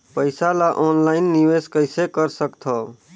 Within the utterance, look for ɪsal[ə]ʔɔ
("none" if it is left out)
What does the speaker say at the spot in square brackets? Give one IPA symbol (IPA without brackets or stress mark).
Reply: a